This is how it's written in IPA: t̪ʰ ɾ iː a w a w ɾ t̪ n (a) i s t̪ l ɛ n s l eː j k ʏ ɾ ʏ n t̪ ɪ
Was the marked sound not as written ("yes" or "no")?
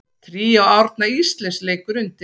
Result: no